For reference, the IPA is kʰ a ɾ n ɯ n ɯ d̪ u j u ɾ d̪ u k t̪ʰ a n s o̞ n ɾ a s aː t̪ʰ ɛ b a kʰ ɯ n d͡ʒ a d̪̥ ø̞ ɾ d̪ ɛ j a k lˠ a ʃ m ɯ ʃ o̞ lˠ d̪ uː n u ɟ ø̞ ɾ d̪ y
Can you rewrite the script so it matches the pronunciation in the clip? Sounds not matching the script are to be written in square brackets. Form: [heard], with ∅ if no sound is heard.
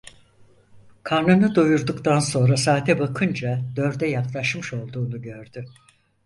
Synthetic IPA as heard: kʰ a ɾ n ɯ n ɯ d̪ u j u ɾ d̪ u k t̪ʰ a n s o̞ n ɾ a s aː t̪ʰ ɛ b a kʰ ɯ n d͡ʒ a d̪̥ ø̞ ɾ d̪ ɛ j a k lˠ a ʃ m ɯ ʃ o̞ lˠ d̪ uː n u ɟ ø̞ ɾ d̪ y